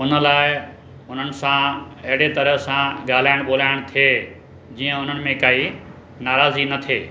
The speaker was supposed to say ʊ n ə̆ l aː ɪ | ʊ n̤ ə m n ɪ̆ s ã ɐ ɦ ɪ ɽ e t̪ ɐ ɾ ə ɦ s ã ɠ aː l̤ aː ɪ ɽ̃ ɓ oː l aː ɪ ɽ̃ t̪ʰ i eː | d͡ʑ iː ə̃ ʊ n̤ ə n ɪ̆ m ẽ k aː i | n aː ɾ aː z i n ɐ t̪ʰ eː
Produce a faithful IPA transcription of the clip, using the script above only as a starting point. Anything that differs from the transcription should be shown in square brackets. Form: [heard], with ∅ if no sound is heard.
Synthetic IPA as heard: ʊ n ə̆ l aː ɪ | ʊ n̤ ə [∅] n ɪ̆ s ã ɐ ɦ ɪ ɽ e t̪ ɐ ɾ ə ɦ s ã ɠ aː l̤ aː ɪ ɽ̃ ɓ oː l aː ɪ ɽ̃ t̪ʰ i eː | d͡ʑ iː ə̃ ʊ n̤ ə n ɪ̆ m ẽ k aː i | n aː ɾ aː z i n ɐ t̪ʰ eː